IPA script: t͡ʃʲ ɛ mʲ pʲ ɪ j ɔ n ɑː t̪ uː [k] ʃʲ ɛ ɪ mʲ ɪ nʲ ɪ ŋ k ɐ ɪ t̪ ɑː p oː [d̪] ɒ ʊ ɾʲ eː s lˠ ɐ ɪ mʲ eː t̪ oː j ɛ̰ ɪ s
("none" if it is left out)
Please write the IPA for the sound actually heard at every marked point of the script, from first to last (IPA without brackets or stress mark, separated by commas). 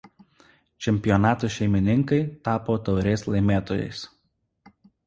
none, t̪